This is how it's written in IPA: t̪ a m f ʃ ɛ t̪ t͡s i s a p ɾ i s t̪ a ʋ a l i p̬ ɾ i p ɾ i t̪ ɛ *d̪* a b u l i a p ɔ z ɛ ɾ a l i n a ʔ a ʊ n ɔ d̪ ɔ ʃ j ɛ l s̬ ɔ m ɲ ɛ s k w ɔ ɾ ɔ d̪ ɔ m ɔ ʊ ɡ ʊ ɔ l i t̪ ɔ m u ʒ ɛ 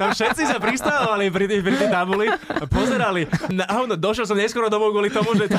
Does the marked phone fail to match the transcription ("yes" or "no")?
yes